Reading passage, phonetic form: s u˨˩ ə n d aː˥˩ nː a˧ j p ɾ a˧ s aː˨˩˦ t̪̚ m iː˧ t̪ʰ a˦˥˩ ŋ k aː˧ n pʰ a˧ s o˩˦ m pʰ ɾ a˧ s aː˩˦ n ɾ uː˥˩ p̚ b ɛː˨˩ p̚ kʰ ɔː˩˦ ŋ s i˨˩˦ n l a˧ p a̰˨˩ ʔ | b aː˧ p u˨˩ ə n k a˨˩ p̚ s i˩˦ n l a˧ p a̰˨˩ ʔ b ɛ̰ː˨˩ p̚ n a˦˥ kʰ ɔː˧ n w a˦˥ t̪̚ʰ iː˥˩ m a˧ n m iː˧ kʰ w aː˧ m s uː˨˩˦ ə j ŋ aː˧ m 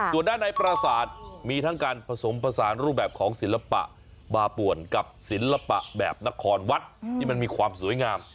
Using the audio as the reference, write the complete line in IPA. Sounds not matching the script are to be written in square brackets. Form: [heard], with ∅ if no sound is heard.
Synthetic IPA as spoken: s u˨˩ ə n d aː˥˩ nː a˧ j p ɾ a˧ s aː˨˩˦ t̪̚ m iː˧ t̪ʰ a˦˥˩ ŋ k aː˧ n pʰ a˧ s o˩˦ m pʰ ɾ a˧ s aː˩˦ n ɾ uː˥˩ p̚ b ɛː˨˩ p̚ kʰ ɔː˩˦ ŋ s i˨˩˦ n l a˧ p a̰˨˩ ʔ | b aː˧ p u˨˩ ə n k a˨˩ p̚ s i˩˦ n l a˧ p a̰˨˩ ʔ b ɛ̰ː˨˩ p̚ n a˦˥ kʰ ɔː˧ n w a˦˥ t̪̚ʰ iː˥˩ m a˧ n m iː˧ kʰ w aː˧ m s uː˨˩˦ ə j ŋ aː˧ m